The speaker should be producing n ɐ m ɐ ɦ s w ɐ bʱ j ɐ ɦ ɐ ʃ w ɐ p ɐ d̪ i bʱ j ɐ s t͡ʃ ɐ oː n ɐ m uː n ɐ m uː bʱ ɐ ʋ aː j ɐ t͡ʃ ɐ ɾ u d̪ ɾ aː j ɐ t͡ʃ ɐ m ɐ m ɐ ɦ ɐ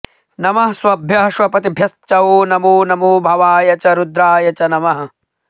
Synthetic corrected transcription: n ɐ m ɐ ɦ s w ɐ bʱ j ɐ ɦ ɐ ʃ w ɐ p ɐ t̪ i bʱ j ɐ s t͡ʃ ɐ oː n ɐ m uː n ɐ m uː bʱ ɐ ʋ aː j ɐ t͡ʃ ɐ ɾ u d̪ ɾ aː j ɐ t͡ʃ ɐ n ɐ m ɐ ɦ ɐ